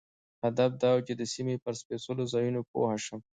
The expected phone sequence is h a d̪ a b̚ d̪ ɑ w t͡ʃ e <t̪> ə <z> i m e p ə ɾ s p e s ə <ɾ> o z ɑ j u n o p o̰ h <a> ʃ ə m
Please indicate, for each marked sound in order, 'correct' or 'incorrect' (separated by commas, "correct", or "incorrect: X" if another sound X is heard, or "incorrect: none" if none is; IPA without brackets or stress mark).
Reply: incorrect: d̪, incorrect: s, incorrect: l, correct